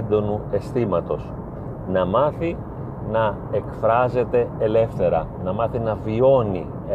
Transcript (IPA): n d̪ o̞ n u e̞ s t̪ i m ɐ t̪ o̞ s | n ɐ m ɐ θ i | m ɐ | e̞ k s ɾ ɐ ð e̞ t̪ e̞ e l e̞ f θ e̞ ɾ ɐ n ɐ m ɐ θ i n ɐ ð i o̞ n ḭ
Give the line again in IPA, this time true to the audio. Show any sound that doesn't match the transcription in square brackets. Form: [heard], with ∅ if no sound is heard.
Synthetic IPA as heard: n d̪ o̞ n u e̞ s t̪ i m ɐ t̪ o̞ s | n ɐ m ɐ θ i | [n] ɐ | e̞ k [f] ɾ ɐ [z] e̞ t̪ e̞ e l e̞ f θ e̞ ɾ ɐ n ɐ m ɐ θ i n ɐ [v] i o̞ n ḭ